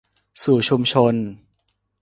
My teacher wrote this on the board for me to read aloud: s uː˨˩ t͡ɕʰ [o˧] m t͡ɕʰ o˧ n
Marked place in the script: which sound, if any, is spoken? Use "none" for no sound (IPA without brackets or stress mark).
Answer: u˧